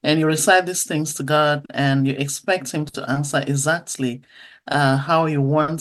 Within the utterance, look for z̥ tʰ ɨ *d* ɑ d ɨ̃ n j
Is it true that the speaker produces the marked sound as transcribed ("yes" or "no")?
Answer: no